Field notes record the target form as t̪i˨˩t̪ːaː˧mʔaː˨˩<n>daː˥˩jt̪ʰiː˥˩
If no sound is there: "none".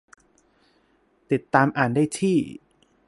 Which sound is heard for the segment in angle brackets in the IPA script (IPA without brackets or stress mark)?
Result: n